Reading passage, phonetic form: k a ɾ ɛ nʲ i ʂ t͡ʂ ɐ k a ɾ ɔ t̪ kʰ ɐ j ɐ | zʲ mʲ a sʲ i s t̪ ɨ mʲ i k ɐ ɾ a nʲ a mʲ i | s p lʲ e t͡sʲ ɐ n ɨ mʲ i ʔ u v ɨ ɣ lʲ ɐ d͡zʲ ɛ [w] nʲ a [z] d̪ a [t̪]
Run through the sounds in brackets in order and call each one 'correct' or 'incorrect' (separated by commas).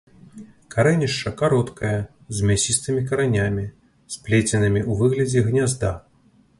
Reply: incorrect, correct, incorrect